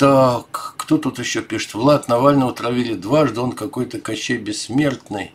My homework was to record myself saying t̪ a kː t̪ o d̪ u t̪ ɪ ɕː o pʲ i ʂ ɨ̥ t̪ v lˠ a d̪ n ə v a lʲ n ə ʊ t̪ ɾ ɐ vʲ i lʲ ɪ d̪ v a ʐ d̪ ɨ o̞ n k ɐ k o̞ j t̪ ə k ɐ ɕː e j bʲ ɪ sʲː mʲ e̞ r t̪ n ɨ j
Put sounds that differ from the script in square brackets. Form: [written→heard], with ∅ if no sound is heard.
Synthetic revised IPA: t̪ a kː t̪ o [d̪→t̪] u t̪ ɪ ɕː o pʲ i ʂ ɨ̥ t̪ v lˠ a [d̪→t̪] n [ə→ɐ] v a lʲ n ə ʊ t̪ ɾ ɐ vʲ i lʲ ɪ d̪ v a ʐ d̪ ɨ o̞ n k ɐ k o̞ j t̪ ə k ɐ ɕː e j bʲ ɪ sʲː mʲ e̞ r t̪ n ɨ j